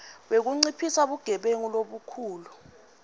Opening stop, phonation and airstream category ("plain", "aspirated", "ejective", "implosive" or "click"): implosive